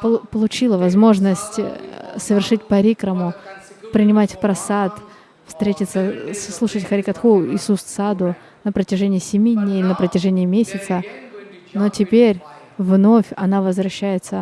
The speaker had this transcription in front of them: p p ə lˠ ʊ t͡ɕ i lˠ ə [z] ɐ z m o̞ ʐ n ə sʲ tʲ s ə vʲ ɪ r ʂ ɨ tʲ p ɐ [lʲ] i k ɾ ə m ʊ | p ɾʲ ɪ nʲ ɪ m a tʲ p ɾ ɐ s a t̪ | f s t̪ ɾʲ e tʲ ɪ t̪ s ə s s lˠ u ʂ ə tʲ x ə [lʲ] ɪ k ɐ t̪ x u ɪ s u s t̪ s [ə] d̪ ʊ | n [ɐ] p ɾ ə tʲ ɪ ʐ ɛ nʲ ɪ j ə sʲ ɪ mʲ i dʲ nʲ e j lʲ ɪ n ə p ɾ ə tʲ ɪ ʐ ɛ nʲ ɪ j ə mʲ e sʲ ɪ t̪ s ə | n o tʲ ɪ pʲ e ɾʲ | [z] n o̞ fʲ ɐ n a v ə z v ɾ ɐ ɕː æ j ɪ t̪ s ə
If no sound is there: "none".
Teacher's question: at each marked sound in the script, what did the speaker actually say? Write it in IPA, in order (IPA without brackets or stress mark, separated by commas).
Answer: v, ɾʲ, ɾʲ, a, ə, v